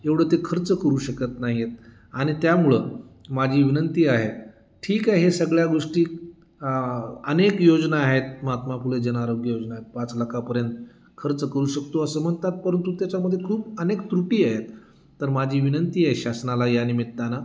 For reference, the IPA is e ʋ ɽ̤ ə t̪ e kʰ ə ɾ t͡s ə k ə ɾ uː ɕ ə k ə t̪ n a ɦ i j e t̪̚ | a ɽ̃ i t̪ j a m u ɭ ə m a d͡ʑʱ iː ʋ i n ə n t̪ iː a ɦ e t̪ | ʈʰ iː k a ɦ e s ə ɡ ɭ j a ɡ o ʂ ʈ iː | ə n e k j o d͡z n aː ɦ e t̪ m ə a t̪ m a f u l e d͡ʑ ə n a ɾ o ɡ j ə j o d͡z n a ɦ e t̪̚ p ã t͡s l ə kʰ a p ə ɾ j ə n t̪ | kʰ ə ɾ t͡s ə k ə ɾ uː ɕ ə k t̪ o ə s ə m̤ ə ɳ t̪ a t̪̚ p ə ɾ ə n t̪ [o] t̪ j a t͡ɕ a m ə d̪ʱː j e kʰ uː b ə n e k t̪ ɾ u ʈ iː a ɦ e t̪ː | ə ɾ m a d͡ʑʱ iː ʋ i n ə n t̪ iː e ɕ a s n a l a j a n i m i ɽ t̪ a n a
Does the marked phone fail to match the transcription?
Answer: yes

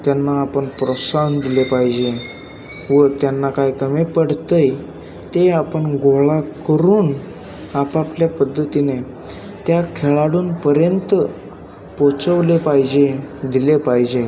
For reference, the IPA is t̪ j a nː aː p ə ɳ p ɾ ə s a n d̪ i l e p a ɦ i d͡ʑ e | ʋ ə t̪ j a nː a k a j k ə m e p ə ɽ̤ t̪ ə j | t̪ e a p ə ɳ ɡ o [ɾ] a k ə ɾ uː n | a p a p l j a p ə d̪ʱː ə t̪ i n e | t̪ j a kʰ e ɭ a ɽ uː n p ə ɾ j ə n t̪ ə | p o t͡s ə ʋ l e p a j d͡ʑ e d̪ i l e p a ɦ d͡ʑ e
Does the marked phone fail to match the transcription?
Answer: yes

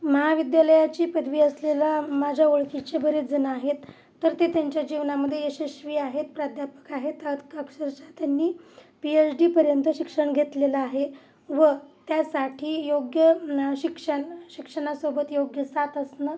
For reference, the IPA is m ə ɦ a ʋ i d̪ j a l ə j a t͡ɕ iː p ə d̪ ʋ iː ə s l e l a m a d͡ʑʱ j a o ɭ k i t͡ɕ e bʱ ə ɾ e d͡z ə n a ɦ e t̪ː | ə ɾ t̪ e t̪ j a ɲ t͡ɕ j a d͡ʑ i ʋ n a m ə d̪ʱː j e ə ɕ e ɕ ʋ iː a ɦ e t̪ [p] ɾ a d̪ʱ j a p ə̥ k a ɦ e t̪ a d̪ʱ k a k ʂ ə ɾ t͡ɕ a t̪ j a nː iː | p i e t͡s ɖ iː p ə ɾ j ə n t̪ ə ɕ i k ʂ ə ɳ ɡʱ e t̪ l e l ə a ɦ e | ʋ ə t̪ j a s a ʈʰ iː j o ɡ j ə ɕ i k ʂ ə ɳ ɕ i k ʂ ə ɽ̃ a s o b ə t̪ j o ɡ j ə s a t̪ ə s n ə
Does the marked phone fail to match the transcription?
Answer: no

